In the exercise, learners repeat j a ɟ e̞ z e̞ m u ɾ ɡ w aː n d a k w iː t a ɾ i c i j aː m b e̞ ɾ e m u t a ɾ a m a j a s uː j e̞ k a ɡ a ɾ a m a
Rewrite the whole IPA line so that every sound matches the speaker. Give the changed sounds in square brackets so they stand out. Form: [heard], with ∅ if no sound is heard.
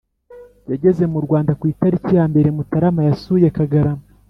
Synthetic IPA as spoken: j a ɟ e̞ z e̞ m u ɾ ɡ w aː n d a k w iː t a ɾ i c i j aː m b e̞ ɾ e m u t a ɾ a m a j a s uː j e̞ k a ɡ a ɾ a m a